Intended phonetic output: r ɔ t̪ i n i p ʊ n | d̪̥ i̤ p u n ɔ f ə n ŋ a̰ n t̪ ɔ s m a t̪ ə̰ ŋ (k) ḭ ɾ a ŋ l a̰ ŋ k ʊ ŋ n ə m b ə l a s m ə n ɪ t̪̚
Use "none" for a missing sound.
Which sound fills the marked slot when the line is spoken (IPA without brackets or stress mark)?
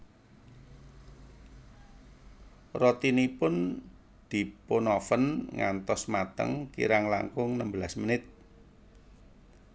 k